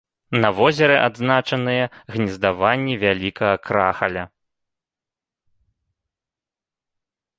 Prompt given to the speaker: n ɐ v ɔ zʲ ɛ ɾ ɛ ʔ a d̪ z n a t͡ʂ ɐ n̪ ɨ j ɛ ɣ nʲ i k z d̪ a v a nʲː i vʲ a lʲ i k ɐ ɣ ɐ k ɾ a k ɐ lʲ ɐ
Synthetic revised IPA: n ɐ v ɔ zʲ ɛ ɾ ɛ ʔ a d̪ z n a t͡ʂ ɐ n̪ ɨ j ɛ ɣ nʲ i z d̪ a v a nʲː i vʲ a lʲ i k ɐ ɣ ɐ k ɾ a x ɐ lʲ ɐ